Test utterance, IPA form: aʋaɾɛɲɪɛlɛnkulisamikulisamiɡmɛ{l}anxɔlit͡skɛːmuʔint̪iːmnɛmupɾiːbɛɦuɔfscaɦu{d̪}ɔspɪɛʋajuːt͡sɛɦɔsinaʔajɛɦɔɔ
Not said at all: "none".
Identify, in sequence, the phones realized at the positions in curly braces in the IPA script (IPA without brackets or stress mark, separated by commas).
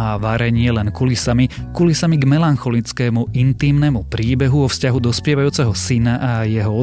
l, d̪